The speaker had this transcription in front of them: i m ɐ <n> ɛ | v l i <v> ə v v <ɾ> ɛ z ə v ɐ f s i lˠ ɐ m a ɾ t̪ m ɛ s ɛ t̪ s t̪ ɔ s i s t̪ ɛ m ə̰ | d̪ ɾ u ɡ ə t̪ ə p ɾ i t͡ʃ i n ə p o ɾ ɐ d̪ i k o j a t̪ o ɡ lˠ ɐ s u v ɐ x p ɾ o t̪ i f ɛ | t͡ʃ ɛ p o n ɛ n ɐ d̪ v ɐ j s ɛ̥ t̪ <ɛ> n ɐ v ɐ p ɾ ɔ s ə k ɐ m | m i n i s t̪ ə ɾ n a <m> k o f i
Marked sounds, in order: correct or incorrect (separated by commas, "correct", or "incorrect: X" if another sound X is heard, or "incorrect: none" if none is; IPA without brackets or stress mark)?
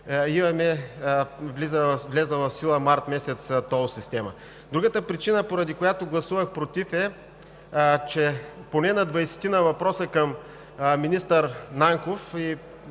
incorrect: m, incorrect: z, incorrect: l, incorrect: i, incorrect: ŋ